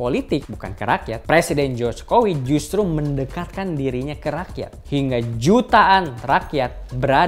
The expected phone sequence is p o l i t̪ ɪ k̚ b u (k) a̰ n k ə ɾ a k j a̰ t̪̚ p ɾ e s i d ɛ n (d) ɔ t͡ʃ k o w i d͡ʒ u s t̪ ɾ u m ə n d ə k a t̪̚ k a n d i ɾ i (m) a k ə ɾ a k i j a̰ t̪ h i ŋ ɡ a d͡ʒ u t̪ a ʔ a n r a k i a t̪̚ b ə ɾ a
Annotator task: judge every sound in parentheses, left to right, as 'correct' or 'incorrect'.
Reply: correct, incorrect: d͡ʒ, incorrect: ɲ

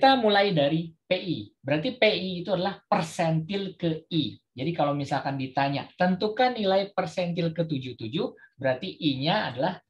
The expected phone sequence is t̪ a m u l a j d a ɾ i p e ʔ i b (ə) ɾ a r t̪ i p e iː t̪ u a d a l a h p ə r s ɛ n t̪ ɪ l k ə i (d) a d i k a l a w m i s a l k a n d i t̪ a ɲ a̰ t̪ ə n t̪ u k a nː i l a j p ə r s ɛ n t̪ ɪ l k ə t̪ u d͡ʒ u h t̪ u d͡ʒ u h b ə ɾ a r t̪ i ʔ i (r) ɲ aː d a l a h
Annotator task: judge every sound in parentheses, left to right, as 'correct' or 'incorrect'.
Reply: correct, incorrect: d͡ʒ, incorrect: none

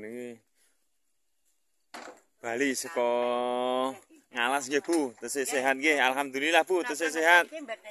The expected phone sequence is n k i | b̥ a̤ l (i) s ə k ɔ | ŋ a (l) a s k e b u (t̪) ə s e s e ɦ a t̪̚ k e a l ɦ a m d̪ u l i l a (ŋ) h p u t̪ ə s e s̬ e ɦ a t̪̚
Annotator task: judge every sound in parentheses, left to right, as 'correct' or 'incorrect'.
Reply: correct, correct, correct, incorrect: none

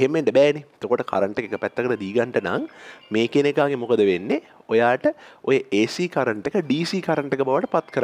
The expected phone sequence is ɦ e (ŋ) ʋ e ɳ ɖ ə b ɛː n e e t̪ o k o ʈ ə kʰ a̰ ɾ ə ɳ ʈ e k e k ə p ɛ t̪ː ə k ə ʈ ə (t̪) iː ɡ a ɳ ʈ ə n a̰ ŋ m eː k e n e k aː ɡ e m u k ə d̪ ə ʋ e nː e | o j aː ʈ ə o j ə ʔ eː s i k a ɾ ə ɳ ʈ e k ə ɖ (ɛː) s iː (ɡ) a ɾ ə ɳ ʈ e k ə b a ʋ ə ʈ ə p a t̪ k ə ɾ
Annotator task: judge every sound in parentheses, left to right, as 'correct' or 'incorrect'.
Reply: incorrect: m, incorrect: d̪, incorrect: iː, incorrect: k

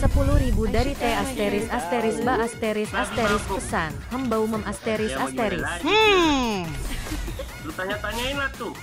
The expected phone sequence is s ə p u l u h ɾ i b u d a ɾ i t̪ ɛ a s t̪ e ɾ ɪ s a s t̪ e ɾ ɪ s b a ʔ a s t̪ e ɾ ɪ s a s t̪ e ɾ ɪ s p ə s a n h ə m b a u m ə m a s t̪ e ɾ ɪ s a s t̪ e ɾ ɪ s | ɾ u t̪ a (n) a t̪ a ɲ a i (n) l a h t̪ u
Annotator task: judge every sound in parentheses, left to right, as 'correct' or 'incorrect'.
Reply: incorrect: ɲ, correct

